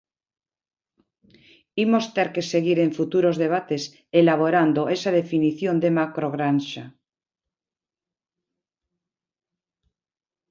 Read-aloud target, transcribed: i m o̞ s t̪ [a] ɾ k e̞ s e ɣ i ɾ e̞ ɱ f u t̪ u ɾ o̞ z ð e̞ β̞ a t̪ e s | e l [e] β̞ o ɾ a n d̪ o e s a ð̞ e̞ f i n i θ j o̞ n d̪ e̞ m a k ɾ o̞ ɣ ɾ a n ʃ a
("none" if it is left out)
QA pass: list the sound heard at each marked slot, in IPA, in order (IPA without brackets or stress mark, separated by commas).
e, a